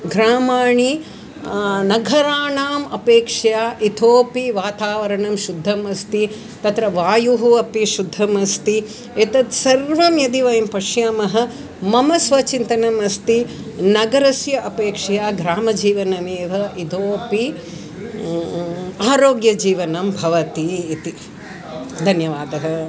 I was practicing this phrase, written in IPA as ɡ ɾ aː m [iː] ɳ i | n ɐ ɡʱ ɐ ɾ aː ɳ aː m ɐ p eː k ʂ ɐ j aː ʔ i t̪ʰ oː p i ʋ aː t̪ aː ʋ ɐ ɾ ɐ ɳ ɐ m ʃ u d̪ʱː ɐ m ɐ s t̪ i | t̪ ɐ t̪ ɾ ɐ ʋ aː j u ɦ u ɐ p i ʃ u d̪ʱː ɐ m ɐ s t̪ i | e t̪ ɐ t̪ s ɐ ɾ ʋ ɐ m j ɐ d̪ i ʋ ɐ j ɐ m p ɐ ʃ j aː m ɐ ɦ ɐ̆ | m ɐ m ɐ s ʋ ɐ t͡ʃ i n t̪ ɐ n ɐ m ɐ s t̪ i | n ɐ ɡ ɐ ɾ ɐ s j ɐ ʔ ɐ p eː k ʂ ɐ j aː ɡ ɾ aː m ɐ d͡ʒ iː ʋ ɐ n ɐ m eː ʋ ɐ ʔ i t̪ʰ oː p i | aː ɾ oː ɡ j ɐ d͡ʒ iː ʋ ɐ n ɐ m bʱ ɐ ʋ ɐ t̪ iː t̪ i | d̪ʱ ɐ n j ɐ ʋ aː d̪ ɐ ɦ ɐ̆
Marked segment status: incorrect: aː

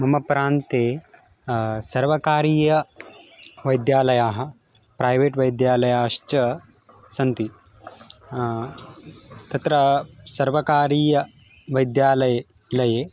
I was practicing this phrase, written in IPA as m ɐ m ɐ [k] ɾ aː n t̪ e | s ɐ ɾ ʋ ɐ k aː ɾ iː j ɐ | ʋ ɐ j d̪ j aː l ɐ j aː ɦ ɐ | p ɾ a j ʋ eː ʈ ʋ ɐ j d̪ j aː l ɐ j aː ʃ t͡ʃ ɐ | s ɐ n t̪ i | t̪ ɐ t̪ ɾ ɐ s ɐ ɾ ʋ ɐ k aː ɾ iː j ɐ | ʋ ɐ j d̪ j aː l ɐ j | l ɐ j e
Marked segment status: incorrect: p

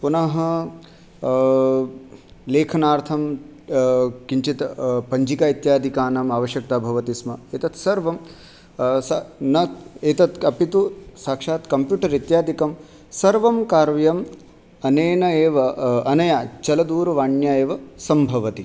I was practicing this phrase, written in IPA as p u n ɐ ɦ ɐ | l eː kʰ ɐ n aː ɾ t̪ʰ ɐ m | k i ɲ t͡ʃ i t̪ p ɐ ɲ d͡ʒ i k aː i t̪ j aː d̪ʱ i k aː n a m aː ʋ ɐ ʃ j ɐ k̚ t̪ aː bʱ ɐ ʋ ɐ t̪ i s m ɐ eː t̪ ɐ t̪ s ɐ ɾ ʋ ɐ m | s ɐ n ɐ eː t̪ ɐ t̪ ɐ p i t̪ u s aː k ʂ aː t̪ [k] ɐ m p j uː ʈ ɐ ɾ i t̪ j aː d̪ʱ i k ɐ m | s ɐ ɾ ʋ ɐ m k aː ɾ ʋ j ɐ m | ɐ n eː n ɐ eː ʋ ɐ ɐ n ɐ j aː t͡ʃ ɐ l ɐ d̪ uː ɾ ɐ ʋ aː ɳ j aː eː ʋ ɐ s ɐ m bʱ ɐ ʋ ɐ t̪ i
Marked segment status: correct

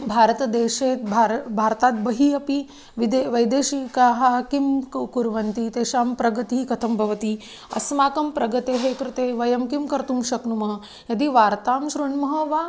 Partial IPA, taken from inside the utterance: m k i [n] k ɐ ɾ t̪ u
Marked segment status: incorrect: m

